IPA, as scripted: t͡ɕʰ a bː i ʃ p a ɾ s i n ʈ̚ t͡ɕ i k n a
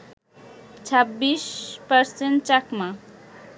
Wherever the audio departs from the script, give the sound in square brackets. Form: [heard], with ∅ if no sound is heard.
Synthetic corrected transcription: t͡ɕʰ a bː i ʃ p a ɾ s [e] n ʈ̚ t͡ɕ [a] k [m] a